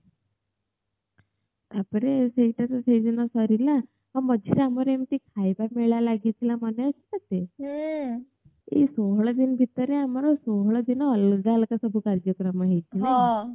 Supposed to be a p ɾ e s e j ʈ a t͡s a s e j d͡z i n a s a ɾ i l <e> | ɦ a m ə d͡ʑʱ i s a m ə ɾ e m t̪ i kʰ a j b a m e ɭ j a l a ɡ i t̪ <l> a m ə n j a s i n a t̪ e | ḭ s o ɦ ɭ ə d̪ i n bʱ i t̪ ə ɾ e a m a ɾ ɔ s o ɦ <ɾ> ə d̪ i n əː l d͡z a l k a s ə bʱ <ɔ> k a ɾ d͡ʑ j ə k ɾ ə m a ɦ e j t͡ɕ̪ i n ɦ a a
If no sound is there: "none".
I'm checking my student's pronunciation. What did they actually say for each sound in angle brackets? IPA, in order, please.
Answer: a, l, ɭ, u

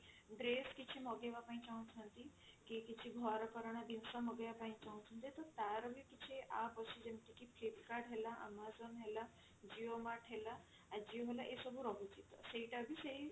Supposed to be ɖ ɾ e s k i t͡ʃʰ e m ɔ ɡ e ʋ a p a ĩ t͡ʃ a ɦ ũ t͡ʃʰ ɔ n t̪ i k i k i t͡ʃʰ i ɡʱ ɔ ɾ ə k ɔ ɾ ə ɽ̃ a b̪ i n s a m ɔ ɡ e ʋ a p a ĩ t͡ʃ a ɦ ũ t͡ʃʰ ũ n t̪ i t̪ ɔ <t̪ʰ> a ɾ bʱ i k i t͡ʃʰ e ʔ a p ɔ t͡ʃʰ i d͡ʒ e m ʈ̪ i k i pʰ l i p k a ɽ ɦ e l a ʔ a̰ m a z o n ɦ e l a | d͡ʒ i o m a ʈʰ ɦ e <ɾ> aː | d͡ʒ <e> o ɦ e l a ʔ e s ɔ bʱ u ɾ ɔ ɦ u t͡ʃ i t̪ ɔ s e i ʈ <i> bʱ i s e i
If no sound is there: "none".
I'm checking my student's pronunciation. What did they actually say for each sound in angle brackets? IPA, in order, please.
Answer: t̪, l, i, a

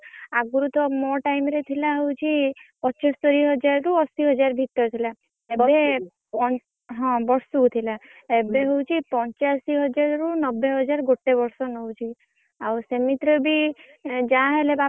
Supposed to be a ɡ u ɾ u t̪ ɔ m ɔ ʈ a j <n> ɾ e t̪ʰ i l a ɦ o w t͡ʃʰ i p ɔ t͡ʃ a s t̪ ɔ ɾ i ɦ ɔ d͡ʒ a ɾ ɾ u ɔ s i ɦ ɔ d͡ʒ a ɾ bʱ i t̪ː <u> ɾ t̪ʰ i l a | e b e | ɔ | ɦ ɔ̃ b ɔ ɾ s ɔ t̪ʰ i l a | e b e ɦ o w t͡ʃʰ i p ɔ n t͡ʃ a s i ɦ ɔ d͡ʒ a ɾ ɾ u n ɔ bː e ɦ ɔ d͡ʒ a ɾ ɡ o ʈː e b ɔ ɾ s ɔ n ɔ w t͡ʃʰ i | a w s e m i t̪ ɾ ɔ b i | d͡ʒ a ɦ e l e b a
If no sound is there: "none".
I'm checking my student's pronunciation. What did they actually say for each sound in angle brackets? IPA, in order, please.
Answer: m, ɔ

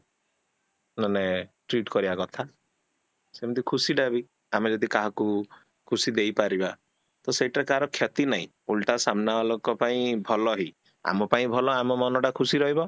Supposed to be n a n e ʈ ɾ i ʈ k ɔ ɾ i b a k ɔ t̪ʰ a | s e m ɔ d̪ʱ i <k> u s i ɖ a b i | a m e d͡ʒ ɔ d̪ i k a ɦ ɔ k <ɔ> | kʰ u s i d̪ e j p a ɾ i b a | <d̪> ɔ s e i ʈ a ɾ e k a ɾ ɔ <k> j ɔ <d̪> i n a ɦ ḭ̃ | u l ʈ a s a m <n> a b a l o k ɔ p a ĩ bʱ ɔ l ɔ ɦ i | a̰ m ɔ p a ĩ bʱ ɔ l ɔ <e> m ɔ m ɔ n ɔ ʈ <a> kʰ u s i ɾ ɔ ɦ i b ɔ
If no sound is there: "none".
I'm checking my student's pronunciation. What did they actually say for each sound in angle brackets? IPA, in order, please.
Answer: kʰ, u, t̪, kʰ, t̪, n, a, a

